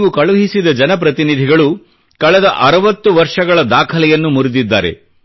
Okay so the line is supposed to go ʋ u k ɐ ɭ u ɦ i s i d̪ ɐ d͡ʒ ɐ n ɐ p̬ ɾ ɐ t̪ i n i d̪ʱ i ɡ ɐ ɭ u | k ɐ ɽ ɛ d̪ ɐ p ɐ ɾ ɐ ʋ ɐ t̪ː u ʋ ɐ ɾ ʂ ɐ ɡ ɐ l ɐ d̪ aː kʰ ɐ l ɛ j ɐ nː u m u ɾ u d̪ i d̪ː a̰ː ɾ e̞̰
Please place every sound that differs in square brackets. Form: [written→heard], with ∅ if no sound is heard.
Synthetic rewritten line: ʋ u k ɐ ɭ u ɦ i s i d̪ ɐ d͡ʒ ɐ n ɐ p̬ ɾ ɐ t̪ i n i d̪ʱ i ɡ ɐ ɭ u | k ɐ [ɽ→ɭ] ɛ d̪ ɐ [p→ʔ] ɐ ɾ ɐ ʋ ɐ t̪ː u ʋ ɐ ɾ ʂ ɐ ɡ ɐ [l→ɭ] ɐ d̪ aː kʰ ɐ l ɛ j ɐ nː u m u ɾ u d̪ i d̪ː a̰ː ɾ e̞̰